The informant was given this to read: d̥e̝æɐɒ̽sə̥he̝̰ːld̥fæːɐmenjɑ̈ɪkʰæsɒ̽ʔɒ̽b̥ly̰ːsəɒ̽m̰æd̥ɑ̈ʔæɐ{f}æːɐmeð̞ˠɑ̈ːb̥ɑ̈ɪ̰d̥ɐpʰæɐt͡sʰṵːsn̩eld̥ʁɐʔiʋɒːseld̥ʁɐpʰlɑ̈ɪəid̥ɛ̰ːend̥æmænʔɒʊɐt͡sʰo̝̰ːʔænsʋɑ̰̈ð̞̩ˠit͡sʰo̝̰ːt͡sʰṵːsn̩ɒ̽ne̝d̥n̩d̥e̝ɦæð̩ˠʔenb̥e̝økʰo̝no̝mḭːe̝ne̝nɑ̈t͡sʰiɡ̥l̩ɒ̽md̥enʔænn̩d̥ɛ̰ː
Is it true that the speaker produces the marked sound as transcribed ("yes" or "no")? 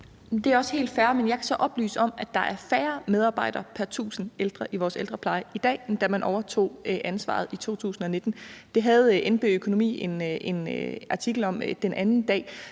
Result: yes